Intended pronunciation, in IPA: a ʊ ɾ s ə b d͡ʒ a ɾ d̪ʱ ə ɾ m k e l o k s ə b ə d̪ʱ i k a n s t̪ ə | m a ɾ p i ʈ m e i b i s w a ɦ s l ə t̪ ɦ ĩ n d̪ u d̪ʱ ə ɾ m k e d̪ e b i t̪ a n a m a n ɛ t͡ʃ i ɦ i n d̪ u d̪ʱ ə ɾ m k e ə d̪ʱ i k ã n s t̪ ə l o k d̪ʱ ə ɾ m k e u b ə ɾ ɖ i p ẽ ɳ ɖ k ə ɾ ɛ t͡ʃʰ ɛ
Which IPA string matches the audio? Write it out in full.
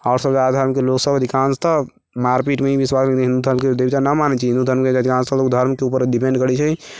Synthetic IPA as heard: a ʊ ɾ s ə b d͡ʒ a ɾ d̪ʱ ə ɾ m k e l o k s ə b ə d̪ʱ i k a n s t̪ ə | m a ɾ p i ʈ m e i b i s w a s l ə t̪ ɦ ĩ n d̪ u d̪ʱ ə ɾ m k e d̪ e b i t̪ a n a m a n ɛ t͡ʃ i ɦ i n d̪ u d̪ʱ ə ɾ m k e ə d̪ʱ i k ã n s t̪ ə l o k d̪ʱ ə ɾ m k e u p ə ɾ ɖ i p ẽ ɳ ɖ k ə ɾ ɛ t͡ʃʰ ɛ